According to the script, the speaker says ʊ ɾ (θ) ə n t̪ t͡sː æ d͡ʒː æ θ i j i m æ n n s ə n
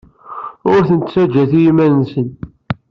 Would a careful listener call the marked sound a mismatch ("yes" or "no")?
no